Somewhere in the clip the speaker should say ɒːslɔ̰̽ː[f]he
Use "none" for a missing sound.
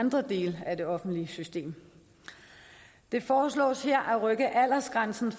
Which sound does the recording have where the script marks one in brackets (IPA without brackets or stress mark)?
s